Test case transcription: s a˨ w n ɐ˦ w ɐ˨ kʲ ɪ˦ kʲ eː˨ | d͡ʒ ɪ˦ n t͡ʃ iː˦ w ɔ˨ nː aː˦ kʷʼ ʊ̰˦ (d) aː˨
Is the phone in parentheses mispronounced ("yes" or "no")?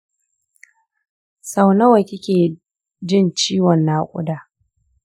no